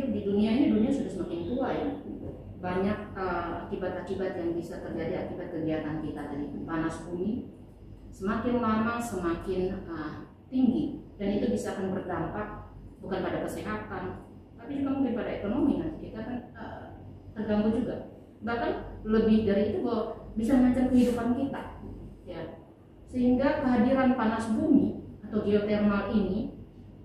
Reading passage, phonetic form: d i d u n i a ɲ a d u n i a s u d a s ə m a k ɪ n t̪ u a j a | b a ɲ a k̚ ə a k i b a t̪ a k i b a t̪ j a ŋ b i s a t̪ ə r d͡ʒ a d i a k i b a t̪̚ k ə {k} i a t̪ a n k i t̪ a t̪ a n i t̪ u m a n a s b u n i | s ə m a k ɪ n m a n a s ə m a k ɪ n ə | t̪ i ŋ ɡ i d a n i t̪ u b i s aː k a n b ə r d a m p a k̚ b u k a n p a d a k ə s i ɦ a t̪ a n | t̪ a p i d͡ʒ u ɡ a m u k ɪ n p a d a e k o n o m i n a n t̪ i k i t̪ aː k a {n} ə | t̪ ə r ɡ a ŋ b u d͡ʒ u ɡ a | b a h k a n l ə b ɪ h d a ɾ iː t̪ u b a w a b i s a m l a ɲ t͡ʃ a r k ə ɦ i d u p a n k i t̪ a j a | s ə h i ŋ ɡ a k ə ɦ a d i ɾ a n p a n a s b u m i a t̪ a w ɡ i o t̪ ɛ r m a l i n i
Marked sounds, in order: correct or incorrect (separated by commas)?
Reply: incorrect, correct